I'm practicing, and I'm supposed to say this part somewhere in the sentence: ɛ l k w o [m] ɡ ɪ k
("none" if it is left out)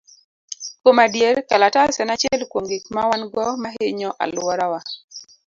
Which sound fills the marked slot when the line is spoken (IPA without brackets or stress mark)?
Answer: ŋ